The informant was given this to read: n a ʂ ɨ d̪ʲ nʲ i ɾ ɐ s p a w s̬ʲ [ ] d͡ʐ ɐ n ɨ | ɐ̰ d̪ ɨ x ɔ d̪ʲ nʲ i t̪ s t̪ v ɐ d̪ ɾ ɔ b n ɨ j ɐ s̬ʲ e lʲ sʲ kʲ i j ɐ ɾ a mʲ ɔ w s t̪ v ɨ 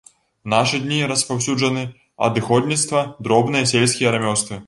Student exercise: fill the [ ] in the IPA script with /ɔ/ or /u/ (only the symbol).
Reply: u